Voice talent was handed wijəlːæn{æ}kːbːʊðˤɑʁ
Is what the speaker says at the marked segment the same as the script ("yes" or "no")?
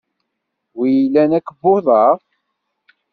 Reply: yes